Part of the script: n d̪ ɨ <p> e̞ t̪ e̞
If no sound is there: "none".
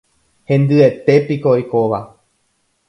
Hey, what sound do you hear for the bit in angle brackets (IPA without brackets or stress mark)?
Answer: none